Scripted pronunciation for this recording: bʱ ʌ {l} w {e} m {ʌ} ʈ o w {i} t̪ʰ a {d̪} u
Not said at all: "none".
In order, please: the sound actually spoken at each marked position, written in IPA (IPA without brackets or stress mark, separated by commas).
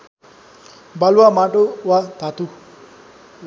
l, a, a, a, t̪